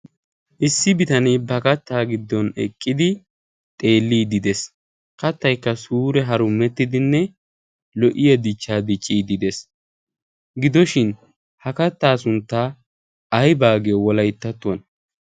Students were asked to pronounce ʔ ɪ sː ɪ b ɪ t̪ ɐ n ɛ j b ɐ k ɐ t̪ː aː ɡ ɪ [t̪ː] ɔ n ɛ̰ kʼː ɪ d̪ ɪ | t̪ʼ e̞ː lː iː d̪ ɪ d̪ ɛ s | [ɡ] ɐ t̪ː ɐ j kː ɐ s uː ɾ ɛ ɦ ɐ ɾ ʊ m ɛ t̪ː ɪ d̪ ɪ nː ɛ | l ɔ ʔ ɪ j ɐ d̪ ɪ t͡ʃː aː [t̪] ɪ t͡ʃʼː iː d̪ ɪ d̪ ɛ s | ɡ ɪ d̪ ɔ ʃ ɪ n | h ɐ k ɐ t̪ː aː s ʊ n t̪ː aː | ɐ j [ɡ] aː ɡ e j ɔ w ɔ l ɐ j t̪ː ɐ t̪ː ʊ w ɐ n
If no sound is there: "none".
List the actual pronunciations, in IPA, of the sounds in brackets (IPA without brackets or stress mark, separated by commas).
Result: d̪ː, k, d̪, b